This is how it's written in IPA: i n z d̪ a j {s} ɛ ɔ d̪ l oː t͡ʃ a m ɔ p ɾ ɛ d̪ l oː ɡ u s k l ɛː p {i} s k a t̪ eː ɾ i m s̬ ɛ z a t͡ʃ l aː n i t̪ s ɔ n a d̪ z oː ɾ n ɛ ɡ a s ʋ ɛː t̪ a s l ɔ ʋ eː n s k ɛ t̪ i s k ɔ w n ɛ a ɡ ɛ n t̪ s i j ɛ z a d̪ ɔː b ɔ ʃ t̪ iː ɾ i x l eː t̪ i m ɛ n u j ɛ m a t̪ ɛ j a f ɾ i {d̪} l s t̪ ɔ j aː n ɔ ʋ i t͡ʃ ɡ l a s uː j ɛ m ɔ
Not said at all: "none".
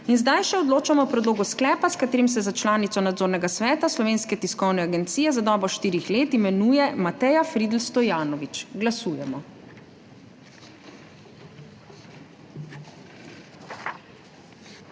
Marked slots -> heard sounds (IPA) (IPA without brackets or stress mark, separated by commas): ʃ, a, d̪